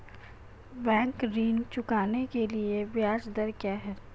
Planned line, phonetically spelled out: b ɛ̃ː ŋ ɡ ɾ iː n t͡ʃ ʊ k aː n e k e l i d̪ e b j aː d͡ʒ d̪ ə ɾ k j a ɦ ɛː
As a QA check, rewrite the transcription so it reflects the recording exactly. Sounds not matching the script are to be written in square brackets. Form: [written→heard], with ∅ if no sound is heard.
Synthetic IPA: b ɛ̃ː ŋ [ɡ→k] ɾ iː n t͡ʃ ʊ k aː n e k e l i [d̪→∅] e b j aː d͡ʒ d̪ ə ɾ k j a ɦ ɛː

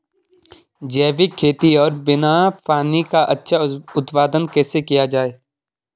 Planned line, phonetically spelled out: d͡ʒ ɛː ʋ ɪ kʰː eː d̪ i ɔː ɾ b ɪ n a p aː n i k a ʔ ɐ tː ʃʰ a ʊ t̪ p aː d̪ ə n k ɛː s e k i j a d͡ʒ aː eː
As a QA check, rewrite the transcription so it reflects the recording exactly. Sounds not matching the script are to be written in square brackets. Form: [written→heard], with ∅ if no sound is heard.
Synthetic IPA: d͡ʒ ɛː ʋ ɪ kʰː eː [d̪→t̪] i ɔː ɾ b ɪ n a p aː n i k a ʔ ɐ tː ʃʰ a ʊ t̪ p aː d̪ ə n k ɛː s e k i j a d͡ʒ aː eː

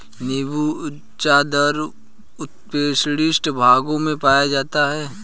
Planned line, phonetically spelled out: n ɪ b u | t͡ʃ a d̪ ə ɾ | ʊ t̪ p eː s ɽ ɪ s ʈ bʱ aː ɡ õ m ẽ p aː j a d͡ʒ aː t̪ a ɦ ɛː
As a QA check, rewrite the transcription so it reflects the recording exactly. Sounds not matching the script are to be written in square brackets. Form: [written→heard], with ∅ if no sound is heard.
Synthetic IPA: n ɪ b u | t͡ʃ a d̪ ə ɾ | ʊ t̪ p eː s ɽ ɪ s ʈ bʱ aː ɡ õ m ẽ p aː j a d͡ʒ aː t̪ a ɦ ɛː

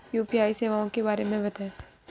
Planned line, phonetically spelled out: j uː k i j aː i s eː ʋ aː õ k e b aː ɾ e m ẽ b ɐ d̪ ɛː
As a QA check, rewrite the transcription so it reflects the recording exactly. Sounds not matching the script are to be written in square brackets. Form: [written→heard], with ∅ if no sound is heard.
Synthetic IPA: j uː [k→p] i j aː i s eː ʋ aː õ k e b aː ɾ e m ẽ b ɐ [d̪→t̪] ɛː

